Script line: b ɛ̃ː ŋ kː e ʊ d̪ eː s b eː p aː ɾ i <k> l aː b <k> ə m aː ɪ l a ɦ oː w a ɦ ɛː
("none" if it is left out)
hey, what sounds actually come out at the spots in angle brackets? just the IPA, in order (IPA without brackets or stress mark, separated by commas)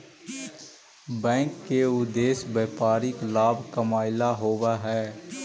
k, k